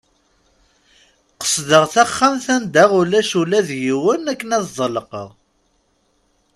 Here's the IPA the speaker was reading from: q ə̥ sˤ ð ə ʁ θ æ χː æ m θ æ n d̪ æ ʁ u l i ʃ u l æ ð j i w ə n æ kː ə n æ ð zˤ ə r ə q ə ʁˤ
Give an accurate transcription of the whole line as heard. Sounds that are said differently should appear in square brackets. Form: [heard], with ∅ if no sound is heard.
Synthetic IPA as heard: q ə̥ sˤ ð ə ʁ θ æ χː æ m θ æ n d̪ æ ʁ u l [æ] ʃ u l æ ð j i w ə n æ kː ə n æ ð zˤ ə [l] ə q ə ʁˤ